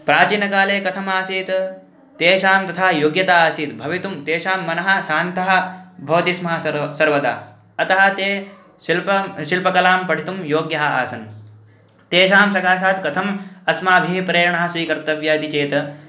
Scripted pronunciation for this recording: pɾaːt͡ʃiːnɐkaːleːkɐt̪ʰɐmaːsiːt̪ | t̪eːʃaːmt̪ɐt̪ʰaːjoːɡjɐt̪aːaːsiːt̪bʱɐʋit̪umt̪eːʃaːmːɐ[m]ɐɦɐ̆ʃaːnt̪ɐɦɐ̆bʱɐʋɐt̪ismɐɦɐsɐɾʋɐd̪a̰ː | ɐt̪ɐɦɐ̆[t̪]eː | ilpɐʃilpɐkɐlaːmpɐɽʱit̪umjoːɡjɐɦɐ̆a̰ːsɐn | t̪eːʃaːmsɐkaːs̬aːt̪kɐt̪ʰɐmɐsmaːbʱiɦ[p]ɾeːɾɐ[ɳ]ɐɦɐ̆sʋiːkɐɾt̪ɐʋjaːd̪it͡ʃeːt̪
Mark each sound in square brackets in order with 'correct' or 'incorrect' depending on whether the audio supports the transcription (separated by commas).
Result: incorrect, correct, correct, correct